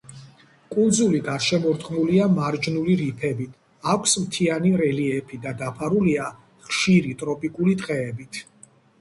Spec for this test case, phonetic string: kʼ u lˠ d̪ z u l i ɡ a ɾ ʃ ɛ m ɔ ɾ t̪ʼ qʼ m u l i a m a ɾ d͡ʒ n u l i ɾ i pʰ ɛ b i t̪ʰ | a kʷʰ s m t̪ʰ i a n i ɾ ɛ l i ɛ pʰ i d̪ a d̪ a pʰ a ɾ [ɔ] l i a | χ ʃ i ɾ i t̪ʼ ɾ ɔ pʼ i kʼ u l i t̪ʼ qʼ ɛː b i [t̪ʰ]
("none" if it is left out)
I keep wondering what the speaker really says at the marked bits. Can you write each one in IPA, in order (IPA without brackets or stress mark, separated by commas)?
u, t̪ʰ